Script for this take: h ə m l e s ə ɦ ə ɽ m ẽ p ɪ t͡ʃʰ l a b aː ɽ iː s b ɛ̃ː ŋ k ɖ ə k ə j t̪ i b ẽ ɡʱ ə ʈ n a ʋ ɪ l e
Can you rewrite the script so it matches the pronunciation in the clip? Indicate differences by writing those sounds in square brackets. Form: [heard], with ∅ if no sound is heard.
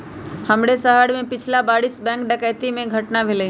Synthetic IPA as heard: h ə m [ɽ] e s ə ɦ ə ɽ m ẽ p ɪ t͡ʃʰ l a b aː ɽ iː s b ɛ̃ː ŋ k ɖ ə k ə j t̪ i [m] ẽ ɡʱ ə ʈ n a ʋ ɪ l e